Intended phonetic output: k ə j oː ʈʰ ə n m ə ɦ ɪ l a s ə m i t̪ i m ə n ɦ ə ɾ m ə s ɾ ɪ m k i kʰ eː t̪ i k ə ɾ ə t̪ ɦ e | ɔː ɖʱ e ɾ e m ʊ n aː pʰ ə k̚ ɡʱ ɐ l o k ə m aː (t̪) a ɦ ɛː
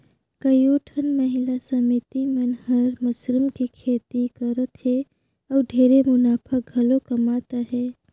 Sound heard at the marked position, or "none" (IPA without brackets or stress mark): t̪